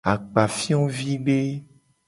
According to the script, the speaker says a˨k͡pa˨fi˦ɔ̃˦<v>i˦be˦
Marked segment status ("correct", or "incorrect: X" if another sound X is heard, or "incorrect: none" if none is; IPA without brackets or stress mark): correct